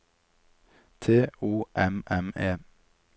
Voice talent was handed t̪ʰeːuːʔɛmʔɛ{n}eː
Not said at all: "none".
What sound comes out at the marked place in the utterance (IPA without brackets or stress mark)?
m